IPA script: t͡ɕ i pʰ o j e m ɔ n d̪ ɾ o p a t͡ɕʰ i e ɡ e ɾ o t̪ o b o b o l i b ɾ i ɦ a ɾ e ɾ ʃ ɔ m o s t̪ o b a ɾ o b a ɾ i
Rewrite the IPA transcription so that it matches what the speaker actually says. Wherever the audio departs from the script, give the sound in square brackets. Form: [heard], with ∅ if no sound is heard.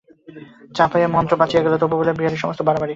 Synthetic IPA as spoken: t͡ɕ [a] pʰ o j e m ɔ n [t̪] ɾ o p a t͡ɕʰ i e ɡ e [l] o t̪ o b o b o l [e] b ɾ i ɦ a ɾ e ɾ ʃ ɔ m o s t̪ o b a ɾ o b a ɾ i